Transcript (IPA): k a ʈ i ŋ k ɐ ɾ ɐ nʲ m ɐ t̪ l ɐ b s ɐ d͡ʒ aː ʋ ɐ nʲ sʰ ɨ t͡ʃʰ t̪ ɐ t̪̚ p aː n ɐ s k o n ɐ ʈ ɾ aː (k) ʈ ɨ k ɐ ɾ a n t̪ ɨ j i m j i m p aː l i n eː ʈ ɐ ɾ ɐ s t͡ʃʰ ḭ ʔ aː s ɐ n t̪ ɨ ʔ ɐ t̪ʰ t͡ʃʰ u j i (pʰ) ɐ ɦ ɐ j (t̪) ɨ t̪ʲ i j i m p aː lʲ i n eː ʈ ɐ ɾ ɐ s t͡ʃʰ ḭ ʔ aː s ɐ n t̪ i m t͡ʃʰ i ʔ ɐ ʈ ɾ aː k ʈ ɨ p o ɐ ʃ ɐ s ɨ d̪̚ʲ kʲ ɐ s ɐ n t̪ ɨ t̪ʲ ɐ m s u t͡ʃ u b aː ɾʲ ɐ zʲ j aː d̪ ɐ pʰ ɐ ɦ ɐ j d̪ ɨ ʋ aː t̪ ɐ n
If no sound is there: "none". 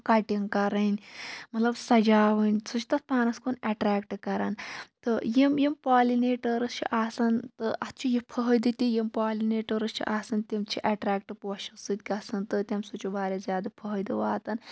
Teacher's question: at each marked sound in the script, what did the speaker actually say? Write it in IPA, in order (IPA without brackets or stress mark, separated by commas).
k, pʰ, d̪